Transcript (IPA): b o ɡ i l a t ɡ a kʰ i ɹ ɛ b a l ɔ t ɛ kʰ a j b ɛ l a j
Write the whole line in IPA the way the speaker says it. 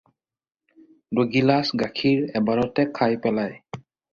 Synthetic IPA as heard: d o ɡ i l a s ɡ a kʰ i ɹ ɛ b a ɹ ɔ t ɛ kʰ a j p ɛ l a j